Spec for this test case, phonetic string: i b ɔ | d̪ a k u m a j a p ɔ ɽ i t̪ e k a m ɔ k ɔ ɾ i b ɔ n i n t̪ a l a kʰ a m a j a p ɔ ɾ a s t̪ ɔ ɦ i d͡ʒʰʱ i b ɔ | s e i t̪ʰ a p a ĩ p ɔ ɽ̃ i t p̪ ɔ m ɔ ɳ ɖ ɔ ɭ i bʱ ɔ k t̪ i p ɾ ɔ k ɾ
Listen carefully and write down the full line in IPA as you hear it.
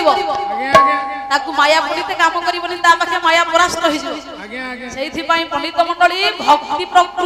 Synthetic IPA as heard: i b ɔ | t̪ a k u m a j a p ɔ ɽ i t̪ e k a m ɔ k ɔ ɾ i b ɔ n i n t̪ a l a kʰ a m a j a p ɔ ɾ a s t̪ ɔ ɦ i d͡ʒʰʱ i b ɔ | s e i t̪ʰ i p a ĩ p ɔ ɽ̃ i t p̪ ɔ m ɔ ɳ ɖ ɔ ɭ i bʱ ɔ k t̪ i p ɾ ɔ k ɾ